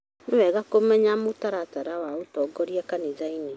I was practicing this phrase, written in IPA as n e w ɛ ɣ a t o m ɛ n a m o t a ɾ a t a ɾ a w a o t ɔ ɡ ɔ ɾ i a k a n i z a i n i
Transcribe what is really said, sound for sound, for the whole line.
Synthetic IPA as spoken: n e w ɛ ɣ a k o m ɛ ɲ a m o t a ɾ a t a ɾ a w a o t ɔ ɡ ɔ ɾ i a k a n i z a i n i